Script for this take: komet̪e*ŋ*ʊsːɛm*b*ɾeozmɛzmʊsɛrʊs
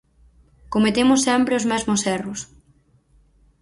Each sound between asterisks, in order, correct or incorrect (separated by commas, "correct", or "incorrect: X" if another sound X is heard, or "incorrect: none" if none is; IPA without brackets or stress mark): incorrect: m, incorrect: p